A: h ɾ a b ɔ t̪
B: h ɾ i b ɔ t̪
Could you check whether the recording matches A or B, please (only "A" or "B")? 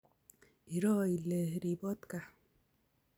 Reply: B